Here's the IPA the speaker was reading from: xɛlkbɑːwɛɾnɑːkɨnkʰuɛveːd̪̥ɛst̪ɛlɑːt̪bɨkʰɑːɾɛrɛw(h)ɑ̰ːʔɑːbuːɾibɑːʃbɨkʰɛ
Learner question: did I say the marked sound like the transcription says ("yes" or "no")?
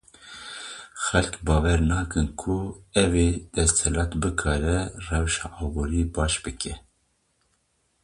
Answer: no